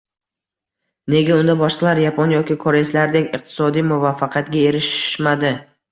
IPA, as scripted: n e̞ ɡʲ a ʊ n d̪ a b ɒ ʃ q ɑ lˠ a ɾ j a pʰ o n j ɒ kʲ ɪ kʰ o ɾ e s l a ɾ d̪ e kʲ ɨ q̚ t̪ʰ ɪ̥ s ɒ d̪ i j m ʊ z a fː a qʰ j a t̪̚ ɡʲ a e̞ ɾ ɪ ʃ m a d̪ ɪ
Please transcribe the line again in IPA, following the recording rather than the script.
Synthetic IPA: n e̞ ɡʲ a ʊ n d̪ a b ɒ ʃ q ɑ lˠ a ɾ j a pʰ o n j ɒ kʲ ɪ kʰ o ɾ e s l a ɾ d̪ e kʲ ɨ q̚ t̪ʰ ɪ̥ s ɒ d̪ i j m ʊ v a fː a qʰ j a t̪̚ ɡʲ a e̞ ɾ ɪ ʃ m a d̪ ɪ

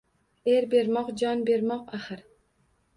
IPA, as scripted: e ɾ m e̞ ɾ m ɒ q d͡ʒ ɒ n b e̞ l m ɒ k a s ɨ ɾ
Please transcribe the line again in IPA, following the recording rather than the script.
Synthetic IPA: e ɾ b e̞ ɾ m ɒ q d͡ʒ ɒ n b e̞ ɾ m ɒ q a χ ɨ ɾ

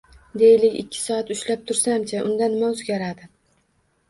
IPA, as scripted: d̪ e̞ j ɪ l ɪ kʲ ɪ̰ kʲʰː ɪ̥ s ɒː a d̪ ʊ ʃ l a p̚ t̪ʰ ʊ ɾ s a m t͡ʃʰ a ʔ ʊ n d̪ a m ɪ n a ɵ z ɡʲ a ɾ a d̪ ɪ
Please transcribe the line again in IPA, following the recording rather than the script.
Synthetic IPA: d̪ e̞ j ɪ l ɪ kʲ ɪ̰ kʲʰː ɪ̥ s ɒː a t̪ ʊ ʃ l a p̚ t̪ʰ ʊ ɾ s a m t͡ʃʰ a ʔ ʊ n d̪ a n ɪ m a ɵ z ɡʲ a ɾ a d̪ ɪ

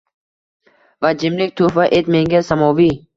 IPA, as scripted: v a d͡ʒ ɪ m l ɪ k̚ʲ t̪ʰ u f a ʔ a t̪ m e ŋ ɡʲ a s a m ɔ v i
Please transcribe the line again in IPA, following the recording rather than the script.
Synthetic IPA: v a d͡ʒ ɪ m l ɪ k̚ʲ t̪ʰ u f a ʔ e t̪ m e ŋ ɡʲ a s a m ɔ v i

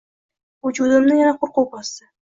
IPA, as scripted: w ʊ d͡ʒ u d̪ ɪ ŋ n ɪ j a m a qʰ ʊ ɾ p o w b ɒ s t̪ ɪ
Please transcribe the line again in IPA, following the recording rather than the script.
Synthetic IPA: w ʊ d͡ʒ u d̪ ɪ m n ɪ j a n a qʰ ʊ ɾ q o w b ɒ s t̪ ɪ

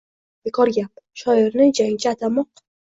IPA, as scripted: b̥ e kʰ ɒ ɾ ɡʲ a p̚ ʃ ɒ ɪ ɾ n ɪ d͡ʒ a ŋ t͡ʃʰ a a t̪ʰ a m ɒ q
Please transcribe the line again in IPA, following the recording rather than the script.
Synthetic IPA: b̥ e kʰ ɒ ɾ ɡʲ a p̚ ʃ ɒ ɪ ɾ n ɪ d͡ʒ a ŋ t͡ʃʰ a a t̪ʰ a m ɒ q

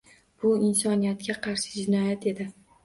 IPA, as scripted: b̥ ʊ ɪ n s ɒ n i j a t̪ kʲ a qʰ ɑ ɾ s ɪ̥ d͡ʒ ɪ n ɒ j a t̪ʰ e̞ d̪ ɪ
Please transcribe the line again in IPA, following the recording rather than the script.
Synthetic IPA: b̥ ʊ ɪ n s ɒ n i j a t̪ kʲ a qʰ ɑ ɾ ʃ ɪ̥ d͡ʒ ɪ n ɒ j a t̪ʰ e̞ d̪ ɪ

